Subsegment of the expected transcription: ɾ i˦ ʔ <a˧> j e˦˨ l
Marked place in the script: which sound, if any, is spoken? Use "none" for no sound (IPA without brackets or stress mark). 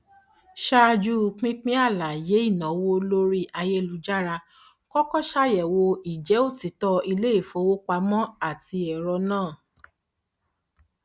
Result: a˧